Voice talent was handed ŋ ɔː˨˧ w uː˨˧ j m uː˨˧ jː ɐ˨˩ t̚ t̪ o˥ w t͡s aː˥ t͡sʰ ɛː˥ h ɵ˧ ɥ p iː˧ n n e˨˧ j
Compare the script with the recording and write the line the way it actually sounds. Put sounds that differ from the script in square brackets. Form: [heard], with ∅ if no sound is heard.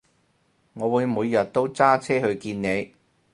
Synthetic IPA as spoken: ŋ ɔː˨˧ w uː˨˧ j m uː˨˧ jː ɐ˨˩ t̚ t̪ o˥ w t͡s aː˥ t͡sʰ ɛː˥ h ɵ˧ ɥ [k] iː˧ n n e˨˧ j